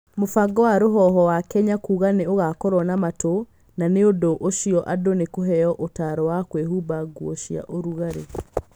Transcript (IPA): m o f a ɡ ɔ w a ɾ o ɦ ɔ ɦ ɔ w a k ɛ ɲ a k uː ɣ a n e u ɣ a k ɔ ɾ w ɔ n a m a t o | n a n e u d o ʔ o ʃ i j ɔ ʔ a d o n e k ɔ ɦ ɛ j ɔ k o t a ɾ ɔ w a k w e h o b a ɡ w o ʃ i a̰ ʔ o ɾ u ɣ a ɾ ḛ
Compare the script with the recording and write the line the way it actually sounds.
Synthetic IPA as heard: m o f a ɡ ɔ w a ɾ o ɦ ɔ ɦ ɔ w a k ɛ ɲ a k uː ɣ a n e o ɣ a k ɔ ɾ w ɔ n a m a t o | n a n e o d o ʔ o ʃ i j ɔ ʔ a d o n e k o ɦ ɛ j ɔ ʔ o t a ɾ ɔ w a k w e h u b a ɡ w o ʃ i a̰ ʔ o ɾ u ɣ a ɾ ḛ